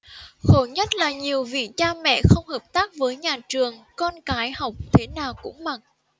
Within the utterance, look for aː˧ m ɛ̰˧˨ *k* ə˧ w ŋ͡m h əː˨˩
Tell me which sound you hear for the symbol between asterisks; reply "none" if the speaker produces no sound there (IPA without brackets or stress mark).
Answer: x